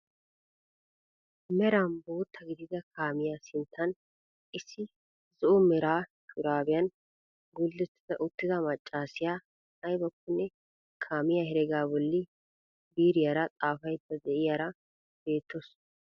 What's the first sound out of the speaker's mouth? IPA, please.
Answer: m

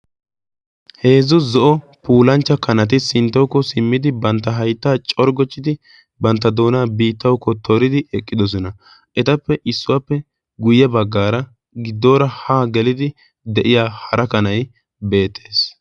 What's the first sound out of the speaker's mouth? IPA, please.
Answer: h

